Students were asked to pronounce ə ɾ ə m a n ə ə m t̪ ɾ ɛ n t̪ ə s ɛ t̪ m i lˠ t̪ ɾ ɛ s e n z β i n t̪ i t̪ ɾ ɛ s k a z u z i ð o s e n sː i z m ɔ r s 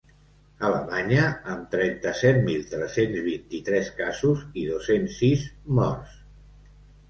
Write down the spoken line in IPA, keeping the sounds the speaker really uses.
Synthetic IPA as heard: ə l ə m a ɲ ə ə m t̪ ɾ ɛ n t̪ ə s ɛ t̪ m i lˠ t̪ ɾ ɛ s e n z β i n t̪ i t̪ ɾ ɛ s k a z u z i ð o s e n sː i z m ɔ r s